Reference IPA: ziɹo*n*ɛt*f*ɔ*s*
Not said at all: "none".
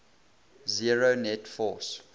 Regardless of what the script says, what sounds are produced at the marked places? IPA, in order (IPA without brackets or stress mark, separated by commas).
n, f, s